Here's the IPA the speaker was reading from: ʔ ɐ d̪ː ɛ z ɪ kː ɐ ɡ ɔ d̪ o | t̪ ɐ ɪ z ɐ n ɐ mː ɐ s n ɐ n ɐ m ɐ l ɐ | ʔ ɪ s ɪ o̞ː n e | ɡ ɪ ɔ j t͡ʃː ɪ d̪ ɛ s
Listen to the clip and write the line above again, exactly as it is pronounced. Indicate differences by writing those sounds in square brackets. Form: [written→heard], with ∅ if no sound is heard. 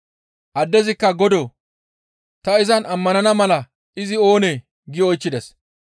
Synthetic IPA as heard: ʔ ɐ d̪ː ɛ z ɪ kː ɐ ɡ ɔ d̪ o | t̪ ɐ ɪ z ɐ n ɐ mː ɐ [s→∅] n ɐ n ɐ m ɐ l ɐ | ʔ ɪ [s→z] ɪ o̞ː n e | ɡ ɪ ɔ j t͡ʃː ɪ d̪ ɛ s